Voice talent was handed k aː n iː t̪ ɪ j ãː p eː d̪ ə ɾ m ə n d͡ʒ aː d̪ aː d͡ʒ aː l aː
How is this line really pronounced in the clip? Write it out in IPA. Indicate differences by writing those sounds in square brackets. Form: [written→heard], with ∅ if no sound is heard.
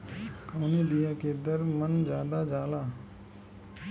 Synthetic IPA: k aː n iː [t̪→d̪] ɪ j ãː [p→k] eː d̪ ə ɾ m ə n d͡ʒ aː d̪ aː d͡ʒ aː l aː